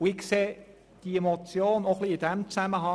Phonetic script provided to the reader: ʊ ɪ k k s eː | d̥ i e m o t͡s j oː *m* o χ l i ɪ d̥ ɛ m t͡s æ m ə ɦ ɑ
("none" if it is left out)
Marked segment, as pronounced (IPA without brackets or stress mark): n